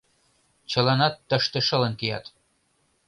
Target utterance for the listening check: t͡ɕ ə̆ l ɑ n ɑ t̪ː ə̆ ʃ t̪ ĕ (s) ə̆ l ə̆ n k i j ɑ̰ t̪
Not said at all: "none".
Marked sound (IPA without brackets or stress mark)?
ʃ